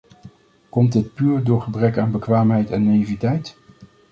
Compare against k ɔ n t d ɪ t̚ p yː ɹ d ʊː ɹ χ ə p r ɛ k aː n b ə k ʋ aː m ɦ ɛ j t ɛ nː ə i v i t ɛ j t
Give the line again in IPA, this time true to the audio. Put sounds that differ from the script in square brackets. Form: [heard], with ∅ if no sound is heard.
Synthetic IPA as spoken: k ɔ [m] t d ɪ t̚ p yː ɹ d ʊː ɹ χ ə [b] r ɛ k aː n b ə k ʋ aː m ɦ ɛ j t ɛ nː [a] i v i t ɛ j t